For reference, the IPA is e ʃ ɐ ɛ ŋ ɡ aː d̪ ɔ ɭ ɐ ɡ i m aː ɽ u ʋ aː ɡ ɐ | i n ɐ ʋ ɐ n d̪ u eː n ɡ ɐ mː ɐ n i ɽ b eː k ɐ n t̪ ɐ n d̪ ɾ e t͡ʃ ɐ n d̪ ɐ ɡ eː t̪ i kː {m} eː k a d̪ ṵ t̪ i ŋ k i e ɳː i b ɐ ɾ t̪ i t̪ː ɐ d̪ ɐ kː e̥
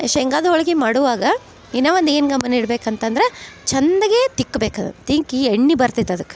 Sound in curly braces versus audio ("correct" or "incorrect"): incorrect